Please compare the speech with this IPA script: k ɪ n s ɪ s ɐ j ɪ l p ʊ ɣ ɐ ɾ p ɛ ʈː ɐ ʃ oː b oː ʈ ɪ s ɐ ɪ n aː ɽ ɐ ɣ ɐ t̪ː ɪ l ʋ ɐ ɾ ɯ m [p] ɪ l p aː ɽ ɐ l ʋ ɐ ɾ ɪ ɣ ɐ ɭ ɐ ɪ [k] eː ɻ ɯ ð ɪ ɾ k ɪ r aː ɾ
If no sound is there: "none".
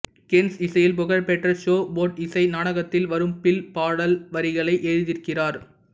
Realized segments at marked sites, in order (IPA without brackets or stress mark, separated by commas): p, ʔ